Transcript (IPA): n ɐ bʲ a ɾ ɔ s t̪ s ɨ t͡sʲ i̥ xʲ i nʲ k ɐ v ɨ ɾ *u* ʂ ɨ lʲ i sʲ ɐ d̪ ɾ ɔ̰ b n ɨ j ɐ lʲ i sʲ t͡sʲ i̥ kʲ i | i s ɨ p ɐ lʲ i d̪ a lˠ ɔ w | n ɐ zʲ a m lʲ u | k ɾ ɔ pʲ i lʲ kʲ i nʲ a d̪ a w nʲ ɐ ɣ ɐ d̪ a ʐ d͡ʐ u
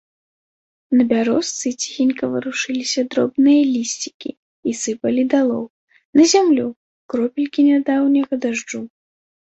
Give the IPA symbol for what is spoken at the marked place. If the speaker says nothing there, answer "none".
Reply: u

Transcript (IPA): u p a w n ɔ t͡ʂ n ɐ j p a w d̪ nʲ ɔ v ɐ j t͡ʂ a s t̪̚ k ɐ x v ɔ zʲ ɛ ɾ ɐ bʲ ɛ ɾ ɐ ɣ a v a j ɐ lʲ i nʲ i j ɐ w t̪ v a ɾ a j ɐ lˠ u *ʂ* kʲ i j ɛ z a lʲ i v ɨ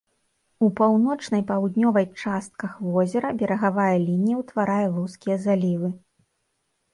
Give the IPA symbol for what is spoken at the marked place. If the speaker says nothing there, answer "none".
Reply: s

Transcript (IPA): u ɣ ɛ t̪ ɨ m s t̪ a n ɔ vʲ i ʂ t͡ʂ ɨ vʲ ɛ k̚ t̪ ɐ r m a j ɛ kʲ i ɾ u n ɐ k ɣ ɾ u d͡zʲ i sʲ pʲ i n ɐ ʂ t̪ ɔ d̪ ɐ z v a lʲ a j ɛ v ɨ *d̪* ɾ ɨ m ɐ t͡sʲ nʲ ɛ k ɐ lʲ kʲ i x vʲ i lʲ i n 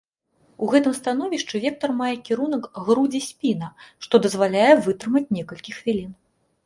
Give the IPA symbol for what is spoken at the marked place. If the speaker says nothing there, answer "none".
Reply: t̪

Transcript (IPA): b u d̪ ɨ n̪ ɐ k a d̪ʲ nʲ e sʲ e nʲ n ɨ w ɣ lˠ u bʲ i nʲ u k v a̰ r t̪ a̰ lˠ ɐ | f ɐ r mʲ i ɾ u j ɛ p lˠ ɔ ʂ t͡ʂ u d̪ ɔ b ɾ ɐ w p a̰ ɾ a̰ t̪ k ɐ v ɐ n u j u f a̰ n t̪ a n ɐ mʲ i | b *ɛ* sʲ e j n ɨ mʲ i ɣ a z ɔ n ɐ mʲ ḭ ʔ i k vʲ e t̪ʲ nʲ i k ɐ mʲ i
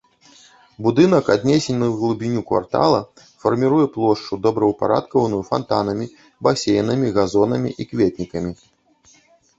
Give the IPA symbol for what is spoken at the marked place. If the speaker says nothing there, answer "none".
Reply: a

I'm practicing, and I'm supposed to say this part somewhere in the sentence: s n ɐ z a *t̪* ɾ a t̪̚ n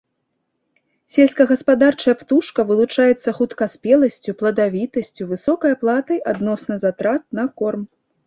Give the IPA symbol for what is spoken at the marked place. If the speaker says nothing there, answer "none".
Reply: t̪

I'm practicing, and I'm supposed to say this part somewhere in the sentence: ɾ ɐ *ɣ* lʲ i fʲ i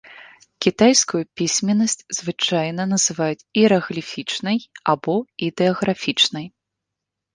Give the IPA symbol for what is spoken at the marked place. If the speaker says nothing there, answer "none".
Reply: ɣ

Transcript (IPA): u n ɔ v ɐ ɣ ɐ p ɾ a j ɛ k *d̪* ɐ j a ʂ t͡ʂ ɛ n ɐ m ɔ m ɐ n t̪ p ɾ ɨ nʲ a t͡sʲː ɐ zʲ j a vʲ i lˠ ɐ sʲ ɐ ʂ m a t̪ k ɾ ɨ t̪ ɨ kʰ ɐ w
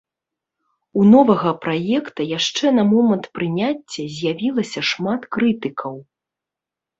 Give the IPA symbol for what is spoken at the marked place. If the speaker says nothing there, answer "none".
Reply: t̪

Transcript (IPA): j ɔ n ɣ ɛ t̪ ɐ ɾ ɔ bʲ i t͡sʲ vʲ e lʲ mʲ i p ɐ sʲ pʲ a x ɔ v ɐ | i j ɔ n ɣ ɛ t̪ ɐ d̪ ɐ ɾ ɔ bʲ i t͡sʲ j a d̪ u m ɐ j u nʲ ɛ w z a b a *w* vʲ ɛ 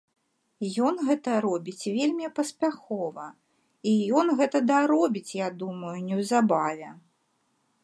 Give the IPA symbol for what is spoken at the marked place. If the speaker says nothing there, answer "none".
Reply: none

